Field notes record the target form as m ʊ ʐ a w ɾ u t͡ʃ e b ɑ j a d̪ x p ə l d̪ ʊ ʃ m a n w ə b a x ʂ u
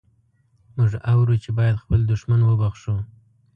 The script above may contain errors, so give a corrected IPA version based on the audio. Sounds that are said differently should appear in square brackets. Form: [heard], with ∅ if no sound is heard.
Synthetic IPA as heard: m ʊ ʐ a w ɾ u t͡ʃ e b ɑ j a d̪ x p ə l d̪ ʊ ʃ m a n w ə b a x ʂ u